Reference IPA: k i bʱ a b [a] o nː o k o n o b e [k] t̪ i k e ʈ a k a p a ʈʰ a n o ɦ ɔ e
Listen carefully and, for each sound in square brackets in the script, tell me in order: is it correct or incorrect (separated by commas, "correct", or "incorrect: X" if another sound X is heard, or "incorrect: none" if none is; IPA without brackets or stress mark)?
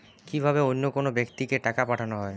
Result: incorrect: e, correct